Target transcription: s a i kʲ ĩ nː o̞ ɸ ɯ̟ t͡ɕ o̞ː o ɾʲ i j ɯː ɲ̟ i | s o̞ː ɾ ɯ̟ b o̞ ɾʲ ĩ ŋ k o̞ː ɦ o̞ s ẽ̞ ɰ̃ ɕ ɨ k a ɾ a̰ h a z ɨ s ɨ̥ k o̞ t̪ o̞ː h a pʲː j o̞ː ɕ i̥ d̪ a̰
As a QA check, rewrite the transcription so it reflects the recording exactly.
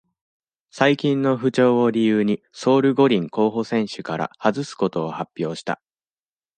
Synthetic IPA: s a i kʲ ĩ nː o̞ ɸ ɯ̟ t͡ɕ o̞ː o ɾʲ i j ɯː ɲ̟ i | s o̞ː ɾ ɯ̟ ɡ o̞ ɾʲ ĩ ŋ k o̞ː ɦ o̞ s ẽ̞ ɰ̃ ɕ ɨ k a ɾ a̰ h a z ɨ s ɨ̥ k o̞ t̪ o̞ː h a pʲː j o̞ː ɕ i̥ t̪ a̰